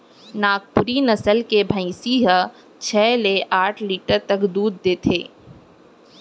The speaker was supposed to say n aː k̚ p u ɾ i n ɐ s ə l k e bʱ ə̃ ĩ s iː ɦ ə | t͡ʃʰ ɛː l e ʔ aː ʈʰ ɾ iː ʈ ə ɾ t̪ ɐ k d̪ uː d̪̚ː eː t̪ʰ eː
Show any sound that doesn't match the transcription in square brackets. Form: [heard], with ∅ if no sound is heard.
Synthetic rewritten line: n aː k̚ p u ɾ i n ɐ s ə l k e bʱ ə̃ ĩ s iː ɦ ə | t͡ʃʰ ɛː l e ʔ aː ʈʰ [l] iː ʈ ə ɾ t̪ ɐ k d̪ uː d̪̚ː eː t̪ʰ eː

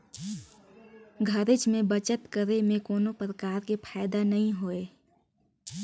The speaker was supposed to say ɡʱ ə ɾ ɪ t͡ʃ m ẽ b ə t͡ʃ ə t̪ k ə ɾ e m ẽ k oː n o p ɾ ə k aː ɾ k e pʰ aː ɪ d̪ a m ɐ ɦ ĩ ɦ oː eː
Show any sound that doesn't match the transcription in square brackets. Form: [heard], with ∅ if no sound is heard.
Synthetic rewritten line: ɡʱ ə ɾ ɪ t͡ʃ m ẽ b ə t͡ʃ ə t̪ k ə ɾ e m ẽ k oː n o p ɾ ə k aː ɾ k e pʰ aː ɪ d̪ a [n] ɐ ɦ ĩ ɦ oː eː

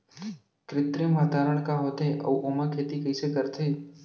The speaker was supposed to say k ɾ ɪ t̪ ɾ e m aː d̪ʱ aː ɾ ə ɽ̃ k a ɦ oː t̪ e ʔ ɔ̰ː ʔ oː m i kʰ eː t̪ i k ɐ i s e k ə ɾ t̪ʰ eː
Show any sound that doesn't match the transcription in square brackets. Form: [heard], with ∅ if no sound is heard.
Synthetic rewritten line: k ɾ ɪ t̪ ɾ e m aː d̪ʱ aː ɾ ə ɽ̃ k a ɦ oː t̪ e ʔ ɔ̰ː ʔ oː m [a] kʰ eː t̪ i k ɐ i s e k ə ɾ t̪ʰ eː

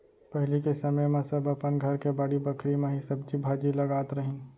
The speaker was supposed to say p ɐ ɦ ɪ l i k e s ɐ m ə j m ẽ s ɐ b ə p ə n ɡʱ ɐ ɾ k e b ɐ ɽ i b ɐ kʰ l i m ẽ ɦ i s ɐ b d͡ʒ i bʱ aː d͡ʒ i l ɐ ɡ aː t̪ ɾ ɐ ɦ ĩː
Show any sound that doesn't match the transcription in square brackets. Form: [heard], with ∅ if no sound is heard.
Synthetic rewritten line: p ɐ ɦ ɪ l i k e s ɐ m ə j m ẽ s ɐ b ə p ə n ɡʱ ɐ ɾ k e b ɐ ɽ i b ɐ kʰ [ɾ] i m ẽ ɦ i s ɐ b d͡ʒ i bʱ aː d͡ʒ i l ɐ ɡ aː t̪ ɾ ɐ ɦ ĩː

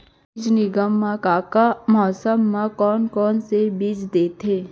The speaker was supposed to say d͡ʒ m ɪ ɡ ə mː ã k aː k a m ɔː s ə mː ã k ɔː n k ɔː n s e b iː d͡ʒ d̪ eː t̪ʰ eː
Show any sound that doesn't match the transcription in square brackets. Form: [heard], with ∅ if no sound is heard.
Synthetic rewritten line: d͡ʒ [n] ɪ ɡ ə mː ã k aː k a m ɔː s ə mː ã k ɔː n k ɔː n s e b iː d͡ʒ d̪ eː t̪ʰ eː

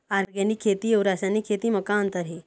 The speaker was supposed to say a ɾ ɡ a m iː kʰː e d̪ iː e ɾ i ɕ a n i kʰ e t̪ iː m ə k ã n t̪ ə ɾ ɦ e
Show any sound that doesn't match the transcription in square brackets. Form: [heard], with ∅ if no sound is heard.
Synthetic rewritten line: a ɾ ɡ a [n] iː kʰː e [t̪] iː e ɾ [a] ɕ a n i kʰ e t̪ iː m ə k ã n t̪ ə ɾ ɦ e

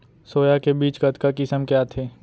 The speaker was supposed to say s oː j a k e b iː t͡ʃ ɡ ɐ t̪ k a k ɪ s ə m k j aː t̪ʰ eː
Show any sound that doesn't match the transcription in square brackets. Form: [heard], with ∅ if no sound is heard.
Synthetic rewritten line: s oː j a k e b iː t͡ʃ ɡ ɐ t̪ k a k ɪ s ə m k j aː t̪ʰ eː

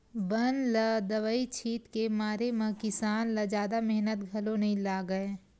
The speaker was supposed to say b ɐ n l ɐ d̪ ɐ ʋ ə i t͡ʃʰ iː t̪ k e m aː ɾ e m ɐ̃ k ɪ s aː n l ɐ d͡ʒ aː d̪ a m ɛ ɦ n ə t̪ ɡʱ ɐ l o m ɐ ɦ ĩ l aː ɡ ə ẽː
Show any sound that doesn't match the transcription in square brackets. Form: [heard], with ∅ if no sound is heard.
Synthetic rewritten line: b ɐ n l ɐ d̪ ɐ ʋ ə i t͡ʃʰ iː t̪ k e m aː ɾ e m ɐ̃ k ɪ s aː n l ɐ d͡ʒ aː d̪ a m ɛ ɦ n ə t̪ ɡʱ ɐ l o [n] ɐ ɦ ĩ l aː ɡ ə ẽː

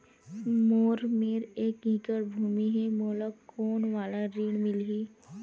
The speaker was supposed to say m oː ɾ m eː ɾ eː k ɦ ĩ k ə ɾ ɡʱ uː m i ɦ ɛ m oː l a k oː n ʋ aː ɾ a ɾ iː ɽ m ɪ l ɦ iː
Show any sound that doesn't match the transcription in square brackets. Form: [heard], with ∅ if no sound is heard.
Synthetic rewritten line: m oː ɾ m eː ɾ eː k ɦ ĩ k ə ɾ [bʱ] uː m i ɦ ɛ m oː l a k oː n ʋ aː [l] a ɾ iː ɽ m ɪ l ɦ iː

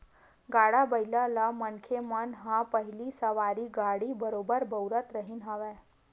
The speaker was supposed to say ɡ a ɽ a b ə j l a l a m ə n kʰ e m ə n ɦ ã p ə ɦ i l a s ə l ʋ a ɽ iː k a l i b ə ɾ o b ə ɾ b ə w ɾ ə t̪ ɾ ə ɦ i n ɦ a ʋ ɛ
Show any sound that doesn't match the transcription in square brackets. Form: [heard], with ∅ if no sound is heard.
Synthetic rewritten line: ɡ a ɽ a b ə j l a l a m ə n kʰ e m ə n ɦ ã p ə ɦ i l [i] s ə [∅] ʋ a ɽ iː [ɡ] a [ɽ] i b ə ɾ o b ə ɾ b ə w ɾ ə t̪ ɾ ə ɦ i n ɦ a ʋ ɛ

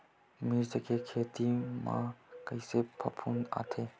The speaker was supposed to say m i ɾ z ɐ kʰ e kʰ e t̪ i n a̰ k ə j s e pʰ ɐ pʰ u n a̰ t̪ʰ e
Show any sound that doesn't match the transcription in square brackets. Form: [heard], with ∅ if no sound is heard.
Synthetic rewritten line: m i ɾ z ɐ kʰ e kʰ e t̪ i [m] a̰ k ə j s e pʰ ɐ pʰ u n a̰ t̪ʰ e

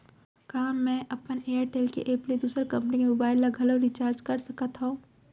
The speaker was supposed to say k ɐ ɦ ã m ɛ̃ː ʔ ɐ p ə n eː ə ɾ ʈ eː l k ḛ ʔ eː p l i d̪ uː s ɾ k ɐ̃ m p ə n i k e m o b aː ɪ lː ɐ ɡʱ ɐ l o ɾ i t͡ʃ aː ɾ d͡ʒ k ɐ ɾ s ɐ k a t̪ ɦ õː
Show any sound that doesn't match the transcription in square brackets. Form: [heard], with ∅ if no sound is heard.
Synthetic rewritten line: k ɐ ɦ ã m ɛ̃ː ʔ ɐ p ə n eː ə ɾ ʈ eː l k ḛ ʔ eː p l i d̪ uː s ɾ k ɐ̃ m p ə n i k e m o b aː ɪ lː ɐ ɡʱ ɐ l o ɾ i t͡ʃ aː ɾ d͡ʒ k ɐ ɾ s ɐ k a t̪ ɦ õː

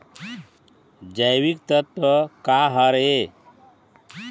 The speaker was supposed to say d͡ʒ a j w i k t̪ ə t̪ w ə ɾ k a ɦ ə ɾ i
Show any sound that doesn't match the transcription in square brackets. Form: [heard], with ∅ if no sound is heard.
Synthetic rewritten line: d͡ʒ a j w i k t̪ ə t̪ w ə [∅] k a ɦ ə ɾ [e]

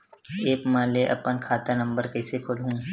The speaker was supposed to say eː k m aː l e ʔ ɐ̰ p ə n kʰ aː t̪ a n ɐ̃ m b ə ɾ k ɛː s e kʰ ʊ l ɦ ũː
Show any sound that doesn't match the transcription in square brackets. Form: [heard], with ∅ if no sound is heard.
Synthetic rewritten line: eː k m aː l e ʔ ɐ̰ p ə n kʰ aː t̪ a n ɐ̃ m b ə ɾ k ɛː s e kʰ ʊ l ɦ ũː

